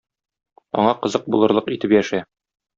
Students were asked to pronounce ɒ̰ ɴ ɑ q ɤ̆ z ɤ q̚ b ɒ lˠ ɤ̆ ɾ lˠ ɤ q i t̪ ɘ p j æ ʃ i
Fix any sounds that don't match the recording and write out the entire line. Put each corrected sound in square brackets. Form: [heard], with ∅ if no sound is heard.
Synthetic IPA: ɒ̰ ɴ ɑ q ɤ̆ z ɤ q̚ b [u] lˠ ɤ̆ ɾ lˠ ɤ q i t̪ ɘ p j æ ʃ [æ]